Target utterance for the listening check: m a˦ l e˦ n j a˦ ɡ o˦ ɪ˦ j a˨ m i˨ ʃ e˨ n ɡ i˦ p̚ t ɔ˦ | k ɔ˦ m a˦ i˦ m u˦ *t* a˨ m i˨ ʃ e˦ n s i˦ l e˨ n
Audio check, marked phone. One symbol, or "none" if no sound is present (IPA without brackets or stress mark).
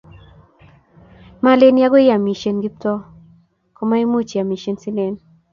t͡ʃ